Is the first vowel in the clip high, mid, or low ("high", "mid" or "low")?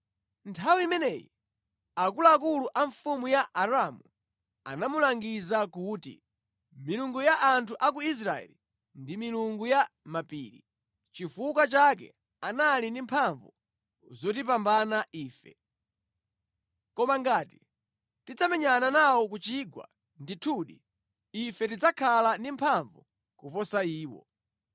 low